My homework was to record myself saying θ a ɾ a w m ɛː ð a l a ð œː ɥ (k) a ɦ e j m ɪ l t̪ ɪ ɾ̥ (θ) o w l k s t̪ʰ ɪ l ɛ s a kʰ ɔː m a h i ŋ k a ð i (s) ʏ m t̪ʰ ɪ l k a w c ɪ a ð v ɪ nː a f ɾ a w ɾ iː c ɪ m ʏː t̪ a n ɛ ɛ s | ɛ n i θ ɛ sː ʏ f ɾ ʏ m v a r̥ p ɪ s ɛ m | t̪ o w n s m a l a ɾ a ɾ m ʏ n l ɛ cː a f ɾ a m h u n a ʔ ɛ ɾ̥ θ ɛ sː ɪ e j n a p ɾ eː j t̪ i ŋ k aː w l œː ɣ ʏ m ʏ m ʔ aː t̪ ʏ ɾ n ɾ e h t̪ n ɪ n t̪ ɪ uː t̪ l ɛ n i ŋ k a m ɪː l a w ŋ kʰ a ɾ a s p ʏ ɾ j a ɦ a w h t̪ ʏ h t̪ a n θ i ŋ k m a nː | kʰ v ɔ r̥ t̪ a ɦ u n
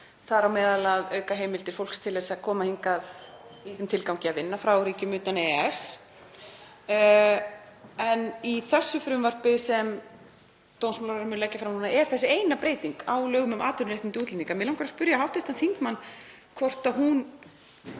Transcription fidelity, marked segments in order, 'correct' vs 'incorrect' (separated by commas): correct, incorrect, incorrect